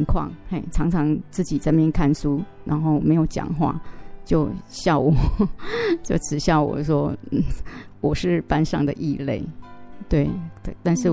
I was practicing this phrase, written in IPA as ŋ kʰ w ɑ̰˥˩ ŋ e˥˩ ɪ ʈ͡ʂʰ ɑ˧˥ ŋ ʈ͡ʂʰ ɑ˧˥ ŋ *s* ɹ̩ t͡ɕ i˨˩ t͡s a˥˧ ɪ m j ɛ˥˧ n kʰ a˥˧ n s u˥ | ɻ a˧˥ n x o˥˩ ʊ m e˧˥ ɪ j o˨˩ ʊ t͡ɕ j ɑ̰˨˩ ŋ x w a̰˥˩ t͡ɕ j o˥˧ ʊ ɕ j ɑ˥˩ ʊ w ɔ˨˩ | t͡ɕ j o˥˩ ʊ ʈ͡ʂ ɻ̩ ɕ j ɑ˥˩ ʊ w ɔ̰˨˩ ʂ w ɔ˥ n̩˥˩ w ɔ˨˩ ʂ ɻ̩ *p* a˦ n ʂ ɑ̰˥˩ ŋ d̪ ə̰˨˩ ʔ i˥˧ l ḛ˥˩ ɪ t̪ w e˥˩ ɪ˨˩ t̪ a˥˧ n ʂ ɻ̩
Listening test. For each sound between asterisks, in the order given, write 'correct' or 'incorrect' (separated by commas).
incorrect, correct